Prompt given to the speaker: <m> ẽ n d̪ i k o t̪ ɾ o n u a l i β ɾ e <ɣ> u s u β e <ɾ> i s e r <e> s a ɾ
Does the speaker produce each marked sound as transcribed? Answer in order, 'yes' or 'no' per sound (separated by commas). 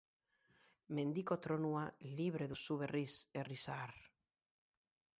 yes, no, no, no